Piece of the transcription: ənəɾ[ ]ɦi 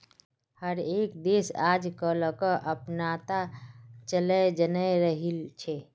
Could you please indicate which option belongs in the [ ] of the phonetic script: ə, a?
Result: ə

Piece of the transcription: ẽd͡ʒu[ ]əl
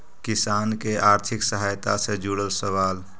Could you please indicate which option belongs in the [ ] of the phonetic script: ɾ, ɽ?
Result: ɽ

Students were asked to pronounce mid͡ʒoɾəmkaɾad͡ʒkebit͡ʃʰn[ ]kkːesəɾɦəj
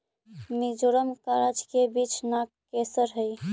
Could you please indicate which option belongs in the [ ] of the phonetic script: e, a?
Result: a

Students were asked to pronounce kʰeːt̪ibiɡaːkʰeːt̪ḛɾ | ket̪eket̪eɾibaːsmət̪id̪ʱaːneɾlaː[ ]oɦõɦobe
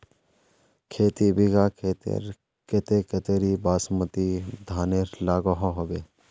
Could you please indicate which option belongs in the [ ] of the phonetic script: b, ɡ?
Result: ɡ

